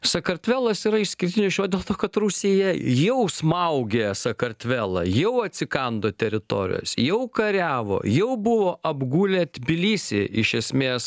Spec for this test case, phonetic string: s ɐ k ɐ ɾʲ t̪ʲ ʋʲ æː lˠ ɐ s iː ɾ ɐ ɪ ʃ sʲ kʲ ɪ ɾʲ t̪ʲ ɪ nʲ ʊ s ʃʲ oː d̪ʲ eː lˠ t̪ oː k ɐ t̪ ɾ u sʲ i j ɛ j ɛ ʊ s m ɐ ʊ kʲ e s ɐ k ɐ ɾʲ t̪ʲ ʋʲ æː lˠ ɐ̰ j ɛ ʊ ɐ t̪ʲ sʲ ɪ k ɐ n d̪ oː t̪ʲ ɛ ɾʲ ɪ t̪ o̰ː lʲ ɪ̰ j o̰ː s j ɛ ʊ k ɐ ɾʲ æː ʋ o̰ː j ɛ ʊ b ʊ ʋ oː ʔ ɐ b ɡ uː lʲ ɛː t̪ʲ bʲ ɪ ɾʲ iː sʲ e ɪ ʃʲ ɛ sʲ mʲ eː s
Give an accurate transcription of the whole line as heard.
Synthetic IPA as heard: s ɐ k ɐ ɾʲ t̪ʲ ʋʲ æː lˠ ɐ s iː ɾ ɐ ɪ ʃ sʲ kʲ ɪ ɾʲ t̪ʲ ɪ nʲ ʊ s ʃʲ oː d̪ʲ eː lˠ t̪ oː k ɐ t̪ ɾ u sʲ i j ɛ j ɛ ʊ s m ɐ ʊ ɡʲ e s ɐ k ɐ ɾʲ t̪ʲ ʋʲ æː lˠ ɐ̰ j ɛ ʊ ɐ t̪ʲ sʲ ɪ k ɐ n d̪ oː t̪ʲ ɛ ɾʲ ɪ t̪ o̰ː ɾʲ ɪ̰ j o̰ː s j ɛ ʊ k ɐ ɾʲ æː ʋ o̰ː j ɛ ʊ b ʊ ʋ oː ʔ ɐ b ɡ uː lʲ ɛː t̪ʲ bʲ ɪ lʲ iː sʲ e ɪ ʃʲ ɛ sʲ mʲ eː s